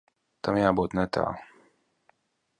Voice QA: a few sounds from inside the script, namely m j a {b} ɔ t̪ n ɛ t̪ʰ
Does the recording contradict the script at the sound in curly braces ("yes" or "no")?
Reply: no